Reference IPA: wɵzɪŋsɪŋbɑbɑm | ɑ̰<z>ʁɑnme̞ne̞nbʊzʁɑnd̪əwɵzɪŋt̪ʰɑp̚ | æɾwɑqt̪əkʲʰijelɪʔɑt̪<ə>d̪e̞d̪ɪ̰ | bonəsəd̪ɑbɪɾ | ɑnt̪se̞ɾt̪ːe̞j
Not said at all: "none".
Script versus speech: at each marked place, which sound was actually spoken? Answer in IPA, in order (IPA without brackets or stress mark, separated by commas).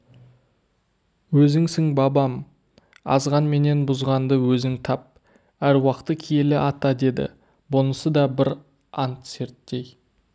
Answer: z, ɑ